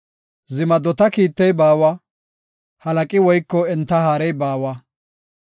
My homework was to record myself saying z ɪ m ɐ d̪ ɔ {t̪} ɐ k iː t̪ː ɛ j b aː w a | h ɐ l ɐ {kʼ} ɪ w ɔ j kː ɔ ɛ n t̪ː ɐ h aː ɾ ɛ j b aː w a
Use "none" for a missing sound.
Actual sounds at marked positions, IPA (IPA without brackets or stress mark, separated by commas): t̪, kʼ